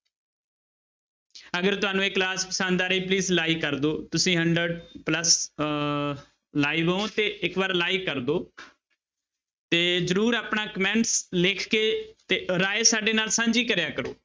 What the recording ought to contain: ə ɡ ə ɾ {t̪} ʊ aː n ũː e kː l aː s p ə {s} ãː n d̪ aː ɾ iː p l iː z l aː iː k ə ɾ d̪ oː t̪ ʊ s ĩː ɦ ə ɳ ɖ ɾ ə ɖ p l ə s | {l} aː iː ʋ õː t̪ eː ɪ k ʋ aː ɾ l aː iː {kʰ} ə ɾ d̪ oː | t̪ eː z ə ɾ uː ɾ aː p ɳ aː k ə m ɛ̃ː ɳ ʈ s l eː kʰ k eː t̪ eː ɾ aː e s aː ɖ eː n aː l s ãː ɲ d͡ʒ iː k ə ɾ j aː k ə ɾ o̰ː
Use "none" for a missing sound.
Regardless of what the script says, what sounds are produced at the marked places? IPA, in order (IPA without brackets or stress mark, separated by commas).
t̪, s, l, k